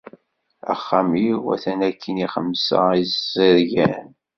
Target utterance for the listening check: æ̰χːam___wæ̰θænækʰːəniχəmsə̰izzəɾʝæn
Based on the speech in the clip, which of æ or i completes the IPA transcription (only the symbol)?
i